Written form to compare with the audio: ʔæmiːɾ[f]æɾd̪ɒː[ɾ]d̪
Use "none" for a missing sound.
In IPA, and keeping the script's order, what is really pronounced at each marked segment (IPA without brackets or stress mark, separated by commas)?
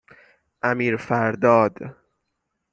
f, none